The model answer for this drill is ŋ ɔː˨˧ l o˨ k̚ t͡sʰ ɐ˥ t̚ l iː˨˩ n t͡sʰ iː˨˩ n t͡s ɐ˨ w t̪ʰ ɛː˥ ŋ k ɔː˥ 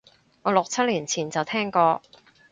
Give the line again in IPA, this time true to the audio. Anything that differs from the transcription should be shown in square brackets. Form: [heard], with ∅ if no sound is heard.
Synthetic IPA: ŋ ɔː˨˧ l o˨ k̚ t͡sʰ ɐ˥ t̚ l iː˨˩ n t͡sʰ iː˨˩ n t͡s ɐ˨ w t̪ʰ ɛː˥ ŋ k [ɔː˧]